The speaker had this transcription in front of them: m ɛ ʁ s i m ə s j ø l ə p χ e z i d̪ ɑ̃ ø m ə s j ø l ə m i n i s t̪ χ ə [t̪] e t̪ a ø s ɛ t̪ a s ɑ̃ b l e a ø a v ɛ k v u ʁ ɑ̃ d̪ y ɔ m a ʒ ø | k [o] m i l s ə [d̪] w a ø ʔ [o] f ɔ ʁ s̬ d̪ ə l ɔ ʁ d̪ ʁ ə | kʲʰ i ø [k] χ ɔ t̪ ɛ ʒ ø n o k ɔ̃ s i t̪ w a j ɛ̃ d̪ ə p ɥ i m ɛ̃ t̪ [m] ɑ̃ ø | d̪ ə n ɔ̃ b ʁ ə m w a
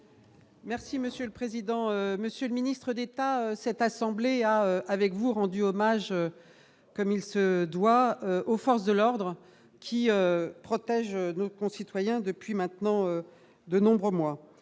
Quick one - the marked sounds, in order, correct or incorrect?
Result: incorrect: d̪, incorrect: ɔ, correct, correct, incorrect: p, incorrect: n

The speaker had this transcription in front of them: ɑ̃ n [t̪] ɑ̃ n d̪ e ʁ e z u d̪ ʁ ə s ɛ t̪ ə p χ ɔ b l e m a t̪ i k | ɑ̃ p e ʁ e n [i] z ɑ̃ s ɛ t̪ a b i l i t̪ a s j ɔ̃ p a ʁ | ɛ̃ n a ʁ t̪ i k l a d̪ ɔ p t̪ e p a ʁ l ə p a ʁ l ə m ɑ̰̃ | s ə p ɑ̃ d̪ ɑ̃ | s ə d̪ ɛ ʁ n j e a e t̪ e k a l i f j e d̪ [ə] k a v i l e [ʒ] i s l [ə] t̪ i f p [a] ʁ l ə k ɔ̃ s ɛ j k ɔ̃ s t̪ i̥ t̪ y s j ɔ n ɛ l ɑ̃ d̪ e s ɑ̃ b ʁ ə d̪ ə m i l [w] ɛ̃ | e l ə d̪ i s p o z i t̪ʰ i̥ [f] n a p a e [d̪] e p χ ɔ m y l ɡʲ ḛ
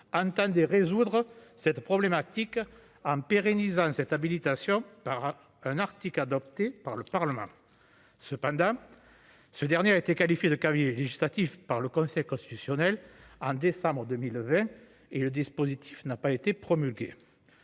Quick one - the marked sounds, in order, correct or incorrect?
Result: correct, correct, correct, correct, incorrect: a, correct, incorrect: v, correct, incorrect: t̪

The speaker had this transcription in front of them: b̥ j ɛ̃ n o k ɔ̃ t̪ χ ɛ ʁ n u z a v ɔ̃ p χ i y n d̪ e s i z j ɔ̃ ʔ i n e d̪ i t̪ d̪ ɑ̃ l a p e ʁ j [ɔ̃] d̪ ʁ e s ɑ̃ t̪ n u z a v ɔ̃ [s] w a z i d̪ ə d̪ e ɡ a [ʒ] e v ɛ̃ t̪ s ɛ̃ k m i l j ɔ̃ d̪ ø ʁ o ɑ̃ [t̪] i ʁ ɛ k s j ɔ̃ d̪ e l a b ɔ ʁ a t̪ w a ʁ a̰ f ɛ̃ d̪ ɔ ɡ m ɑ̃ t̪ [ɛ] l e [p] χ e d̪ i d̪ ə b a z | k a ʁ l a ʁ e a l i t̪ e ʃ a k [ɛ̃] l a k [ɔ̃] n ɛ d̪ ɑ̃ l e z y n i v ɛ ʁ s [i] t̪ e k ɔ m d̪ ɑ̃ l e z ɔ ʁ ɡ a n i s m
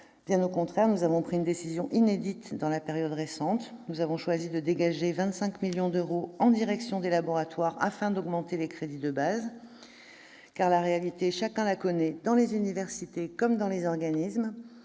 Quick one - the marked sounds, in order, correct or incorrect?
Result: incorrect: ɔ, incorrect: ʃ, correct, incorrect: d̪, incorrect: e, incorrect: k, correct, incorrect: ɔ, correct

